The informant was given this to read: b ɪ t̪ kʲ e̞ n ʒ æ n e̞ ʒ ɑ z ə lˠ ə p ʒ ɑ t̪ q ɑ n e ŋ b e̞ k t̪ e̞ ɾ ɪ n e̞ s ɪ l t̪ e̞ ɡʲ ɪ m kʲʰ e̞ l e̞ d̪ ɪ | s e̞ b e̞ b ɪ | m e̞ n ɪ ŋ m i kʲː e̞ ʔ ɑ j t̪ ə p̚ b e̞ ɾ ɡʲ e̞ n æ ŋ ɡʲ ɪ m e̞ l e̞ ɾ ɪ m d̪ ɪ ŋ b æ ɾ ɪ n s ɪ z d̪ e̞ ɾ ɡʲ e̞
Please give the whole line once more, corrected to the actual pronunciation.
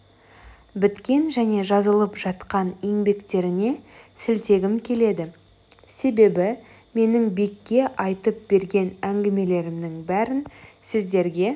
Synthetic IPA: b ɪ t̪ kʲ e̞ n ʒ æ n e̞ ʒ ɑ z ə lˠ ə p ʒ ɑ t̪ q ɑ n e ŋ b e̞ k t̪ e̞ ɾ ɪ n e̞ s ɪ l t̪ e̞ ɡʲ ɪ m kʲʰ e̞ l e̞ d̪ ɪ | s e̞ b e̞ b ɪ | m e̞ n ɪ ŋ b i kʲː e̞ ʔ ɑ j t̪ ə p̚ b e̞ ɾ ɡʲ e̞ n æ ŋ ɡʲ ɪ m e̞ l e̞ ɾ ɪ m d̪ ɪ ŋ b æ ɾ ɪ n s ɪ z d̪ e̞ ɾ ɡʲ e̞